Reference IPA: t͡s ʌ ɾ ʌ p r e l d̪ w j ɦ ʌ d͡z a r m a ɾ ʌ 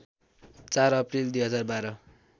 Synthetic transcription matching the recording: t͡s a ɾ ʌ p r i l d̪ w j ɦ ʌ d͡z a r b a ɾ ʌ